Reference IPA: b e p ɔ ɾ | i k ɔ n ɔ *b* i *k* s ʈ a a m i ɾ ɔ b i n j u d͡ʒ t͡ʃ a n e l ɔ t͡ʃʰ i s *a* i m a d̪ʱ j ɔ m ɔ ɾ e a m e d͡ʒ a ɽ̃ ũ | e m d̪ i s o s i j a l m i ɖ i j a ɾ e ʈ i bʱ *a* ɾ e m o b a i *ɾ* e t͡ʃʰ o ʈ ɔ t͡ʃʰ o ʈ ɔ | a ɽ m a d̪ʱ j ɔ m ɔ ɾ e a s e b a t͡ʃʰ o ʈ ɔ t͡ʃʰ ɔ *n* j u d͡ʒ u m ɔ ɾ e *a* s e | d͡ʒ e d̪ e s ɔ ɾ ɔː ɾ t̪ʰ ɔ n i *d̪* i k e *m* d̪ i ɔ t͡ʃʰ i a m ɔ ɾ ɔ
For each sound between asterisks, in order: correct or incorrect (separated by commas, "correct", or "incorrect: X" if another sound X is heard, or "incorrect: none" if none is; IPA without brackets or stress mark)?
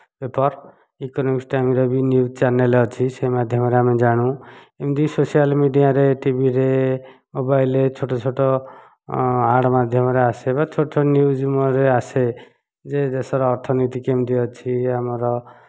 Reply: incorrect: m, correct, incorrect: e, incorrect: i, incorrect: l, correct, correct, incorrect: t̪, correct